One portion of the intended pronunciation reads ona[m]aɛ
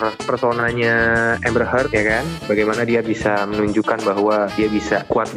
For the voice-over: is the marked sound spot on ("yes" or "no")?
no